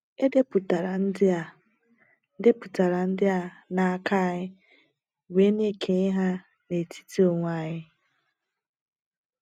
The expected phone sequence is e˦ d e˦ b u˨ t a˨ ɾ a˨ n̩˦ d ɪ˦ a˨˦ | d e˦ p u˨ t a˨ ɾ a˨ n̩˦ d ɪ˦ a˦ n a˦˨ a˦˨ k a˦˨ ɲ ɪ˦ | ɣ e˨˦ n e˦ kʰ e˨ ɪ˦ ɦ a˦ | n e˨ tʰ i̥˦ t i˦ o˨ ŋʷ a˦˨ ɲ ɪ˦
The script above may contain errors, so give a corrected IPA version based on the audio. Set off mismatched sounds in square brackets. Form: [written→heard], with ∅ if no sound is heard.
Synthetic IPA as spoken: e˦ d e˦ [b→p] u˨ t a˨ ɾ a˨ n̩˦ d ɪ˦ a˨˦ | d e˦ p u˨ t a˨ ɾ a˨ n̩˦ d ɪ˦ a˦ n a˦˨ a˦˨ k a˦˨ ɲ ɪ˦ | [ɣ→w] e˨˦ n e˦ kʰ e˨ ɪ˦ ɦ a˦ | n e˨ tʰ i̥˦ t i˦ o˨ ŋʷ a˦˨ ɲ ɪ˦